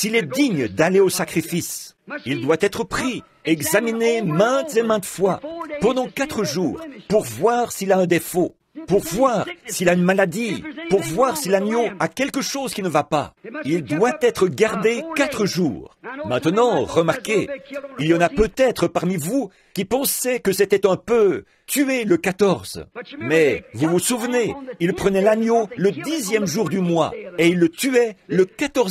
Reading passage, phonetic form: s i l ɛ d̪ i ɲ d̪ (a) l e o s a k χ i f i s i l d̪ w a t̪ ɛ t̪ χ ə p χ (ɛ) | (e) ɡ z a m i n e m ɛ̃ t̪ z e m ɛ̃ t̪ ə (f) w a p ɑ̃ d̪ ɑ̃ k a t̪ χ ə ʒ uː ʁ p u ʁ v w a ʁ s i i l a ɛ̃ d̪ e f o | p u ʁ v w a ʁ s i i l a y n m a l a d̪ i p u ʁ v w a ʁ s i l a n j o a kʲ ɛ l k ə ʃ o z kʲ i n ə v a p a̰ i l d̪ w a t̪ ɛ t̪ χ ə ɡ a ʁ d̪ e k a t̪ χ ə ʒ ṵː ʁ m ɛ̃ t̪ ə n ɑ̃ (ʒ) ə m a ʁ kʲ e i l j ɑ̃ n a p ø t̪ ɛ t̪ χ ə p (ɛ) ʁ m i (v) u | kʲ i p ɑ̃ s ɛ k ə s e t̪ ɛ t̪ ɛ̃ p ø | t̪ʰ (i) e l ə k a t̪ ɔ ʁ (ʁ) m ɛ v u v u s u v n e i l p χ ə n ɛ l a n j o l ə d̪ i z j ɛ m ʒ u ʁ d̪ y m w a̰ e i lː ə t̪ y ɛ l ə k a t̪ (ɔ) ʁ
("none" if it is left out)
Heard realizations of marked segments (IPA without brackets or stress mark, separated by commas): a, i, ɛ, f, ʁ, a, v, y, z, ɔ